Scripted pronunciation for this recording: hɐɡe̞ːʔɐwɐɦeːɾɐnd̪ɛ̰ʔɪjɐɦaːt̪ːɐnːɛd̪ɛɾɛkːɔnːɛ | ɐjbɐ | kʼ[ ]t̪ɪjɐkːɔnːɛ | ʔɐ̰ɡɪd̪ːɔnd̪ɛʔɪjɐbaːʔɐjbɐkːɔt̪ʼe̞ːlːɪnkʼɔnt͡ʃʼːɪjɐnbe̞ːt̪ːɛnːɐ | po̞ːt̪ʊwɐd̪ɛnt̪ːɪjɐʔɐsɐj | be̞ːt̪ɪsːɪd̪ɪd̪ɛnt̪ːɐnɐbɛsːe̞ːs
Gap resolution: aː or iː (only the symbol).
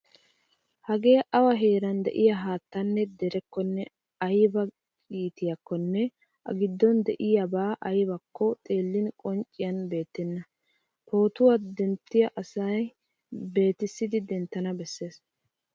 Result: iː